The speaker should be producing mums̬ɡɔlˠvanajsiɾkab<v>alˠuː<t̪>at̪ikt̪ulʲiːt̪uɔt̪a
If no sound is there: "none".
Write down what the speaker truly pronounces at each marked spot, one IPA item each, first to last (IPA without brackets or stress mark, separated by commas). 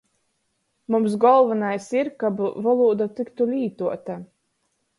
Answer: v, d̪